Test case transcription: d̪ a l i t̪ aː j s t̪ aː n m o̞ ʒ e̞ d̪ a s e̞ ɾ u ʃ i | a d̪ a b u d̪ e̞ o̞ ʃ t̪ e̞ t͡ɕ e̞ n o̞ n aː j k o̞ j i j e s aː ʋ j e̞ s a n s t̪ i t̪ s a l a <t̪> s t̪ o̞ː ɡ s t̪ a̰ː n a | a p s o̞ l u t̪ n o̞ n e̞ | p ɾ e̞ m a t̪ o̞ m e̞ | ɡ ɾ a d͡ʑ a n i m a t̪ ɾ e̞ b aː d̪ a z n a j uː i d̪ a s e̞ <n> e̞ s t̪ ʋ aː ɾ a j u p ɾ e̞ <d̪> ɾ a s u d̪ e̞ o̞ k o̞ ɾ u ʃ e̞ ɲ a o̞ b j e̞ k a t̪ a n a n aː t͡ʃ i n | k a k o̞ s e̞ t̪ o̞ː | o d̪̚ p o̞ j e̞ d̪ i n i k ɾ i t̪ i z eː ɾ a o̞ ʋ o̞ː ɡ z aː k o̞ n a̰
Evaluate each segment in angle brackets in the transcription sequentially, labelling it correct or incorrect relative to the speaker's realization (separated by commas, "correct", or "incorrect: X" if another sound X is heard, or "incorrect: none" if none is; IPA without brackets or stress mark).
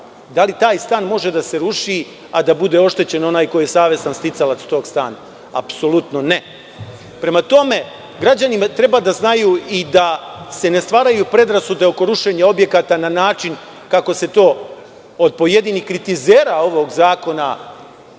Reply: correct, correct, correct